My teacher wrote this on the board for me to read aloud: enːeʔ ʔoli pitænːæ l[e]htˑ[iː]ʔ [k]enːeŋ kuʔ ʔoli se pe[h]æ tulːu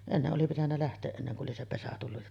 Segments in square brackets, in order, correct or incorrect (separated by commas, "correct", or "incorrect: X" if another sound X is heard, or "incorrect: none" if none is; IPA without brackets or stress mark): incorrect: æ, incorrect: eː, incorrect: ʔ, incorrect: s